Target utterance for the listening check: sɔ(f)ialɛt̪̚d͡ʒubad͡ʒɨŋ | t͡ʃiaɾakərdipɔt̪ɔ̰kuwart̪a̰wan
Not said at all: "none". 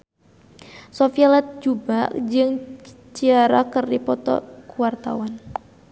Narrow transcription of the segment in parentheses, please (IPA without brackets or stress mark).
f